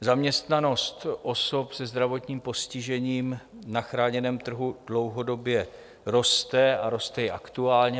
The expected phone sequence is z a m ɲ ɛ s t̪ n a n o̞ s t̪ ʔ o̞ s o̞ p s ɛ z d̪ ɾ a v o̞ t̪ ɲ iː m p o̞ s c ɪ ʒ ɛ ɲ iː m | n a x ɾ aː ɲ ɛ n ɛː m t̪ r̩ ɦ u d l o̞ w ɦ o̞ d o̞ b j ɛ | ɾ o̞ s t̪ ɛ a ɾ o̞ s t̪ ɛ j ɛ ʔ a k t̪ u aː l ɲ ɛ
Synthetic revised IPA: z a m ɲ ɛ s t̪ n a n o̞ s t̪ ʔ o̞ s o̞ p s ɛ z d̪ ɾ a v o̞ t̪ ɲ iː m p o̞ s c ɪ ʒ ɛ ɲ iː m | n a x ɾ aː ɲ ɛ n ɛː m t̪ r̩ ɦ u d l o̞ w ɦ o̞ d o̞ b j ɛ | ɾ o̞ s t̪ ɛ a ɾ o̞ s t̪ ɛ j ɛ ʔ a k t̪ u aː l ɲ ɛ